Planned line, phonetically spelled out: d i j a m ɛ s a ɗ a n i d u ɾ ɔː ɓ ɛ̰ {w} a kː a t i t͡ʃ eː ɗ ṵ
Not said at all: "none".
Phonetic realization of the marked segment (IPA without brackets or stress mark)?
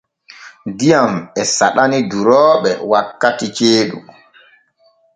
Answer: w